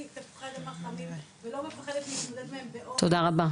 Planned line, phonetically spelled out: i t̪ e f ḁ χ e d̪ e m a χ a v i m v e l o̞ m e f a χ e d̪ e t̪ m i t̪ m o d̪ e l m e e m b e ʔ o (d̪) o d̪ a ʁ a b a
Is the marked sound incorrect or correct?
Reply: incorrect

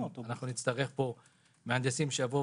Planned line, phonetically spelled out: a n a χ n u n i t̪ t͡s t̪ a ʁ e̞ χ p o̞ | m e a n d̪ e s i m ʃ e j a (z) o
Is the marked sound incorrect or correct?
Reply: incorrect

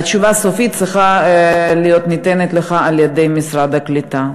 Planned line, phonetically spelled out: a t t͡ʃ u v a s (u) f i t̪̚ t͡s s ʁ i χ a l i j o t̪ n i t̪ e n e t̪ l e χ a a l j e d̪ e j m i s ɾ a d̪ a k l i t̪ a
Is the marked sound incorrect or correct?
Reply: incorrect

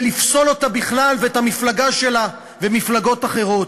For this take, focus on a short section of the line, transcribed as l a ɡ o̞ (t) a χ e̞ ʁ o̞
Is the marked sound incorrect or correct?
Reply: correct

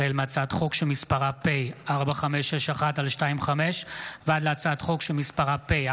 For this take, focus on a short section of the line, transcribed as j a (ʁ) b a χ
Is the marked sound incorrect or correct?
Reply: correct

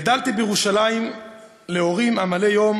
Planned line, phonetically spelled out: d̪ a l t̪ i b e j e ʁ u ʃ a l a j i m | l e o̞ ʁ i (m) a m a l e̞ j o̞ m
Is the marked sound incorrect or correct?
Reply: correct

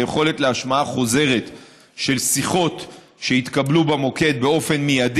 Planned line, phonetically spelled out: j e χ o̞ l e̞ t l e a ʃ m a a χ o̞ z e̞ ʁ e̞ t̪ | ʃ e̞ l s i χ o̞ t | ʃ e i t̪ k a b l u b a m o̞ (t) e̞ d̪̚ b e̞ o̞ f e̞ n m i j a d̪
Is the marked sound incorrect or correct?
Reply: incorrect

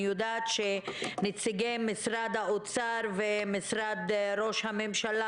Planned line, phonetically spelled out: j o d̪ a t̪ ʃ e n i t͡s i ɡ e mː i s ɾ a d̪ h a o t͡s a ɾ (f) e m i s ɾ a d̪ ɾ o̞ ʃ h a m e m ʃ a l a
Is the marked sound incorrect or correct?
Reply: incorrect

